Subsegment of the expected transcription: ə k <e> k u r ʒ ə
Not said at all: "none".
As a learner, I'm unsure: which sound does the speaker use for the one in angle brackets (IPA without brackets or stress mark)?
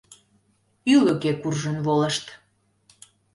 e